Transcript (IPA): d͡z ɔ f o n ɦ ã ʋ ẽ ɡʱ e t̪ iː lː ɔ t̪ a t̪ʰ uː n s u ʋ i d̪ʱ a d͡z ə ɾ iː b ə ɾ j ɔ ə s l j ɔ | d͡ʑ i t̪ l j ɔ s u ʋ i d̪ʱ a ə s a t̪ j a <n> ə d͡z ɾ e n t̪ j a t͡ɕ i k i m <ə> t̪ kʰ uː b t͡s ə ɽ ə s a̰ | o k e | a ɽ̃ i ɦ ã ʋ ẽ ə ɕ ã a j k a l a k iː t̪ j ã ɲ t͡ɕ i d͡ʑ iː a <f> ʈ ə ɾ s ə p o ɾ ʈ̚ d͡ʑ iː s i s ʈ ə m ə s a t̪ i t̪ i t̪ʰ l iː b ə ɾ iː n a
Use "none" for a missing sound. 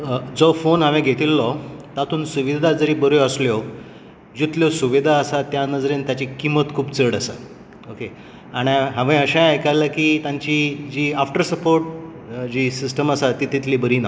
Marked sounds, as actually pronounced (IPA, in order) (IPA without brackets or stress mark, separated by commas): n, ə, f